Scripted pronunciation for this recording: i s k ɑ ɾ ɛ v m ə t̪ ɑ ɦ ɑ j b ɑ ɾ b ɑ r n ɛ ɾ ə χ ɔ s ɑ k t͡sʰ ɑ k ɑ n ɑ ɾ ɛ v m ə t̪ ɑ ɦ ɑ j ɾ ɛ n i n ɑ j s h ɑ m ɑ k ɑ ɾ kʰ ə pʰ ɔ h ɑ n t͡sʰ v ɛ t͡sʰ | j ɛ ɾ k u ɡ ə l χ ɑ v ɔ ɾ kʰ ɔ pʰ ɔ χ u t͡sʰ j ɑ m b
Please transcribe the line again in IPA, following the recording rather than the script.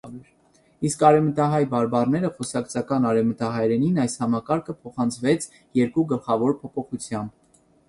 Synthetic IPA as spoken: i s k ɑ ɾ ɛ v m ə t̪ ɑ ɦ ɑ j b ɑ ɾ b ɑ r n ɛ ɾ ə χ ɔ s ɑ k t͡sʰ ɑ k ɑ n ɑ ɾ ɛ v m ə t̪ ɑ ɦ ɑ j ɾ ɛ n i n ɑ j s h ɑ m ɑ k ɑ ɾ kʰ ə pʰ ɔ χ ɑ n t͡sʰ v ɛ t͡sʰ | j ɛ ɾ k u ɡ ə l χ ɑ v ɔ ɾ pʰ ɔ pʰ ɔ χ u t͡sʰ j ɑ m b